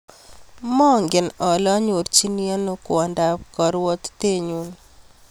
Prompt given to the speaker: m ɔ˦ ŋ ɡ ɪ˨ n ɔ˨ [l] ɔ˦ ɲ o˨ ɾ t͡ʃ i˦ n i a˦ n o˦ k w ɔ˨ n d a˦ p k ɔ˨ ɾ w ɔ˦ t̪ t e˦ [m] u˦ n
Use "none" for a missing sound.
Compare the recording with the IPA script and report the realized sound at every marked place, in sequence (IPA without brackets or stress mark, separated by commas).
l, ɲ